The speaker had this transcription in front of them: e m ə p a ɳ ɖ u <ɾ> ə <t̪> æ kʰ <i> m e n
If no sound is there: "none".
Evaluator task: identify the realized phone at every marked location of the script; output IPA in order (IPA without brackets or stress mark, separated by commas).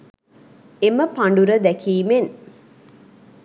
ɾ, d̪, iː